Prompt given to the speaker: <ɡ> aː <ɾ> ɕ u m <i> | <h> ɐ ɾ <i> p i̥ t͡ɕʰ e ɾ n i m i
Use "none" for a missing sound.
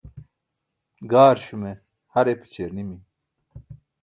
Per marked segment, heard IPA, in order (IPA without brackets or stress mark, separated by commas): ɡ, ɾ, e, h, e